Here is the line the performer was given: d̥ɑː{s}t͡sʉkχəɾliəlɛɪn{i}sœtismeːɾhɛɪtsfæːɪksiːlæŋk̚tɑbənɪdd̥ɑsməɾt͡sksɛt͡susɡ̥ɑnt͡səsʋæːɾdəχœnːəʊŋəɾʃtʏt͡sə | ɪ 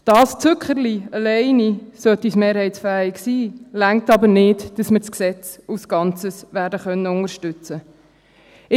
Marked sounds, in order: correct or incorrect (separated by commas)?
correct, correct